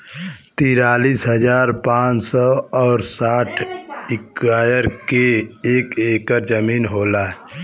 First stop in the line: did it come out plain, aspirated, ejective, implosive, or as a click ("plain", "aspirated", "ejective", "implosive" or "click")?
plain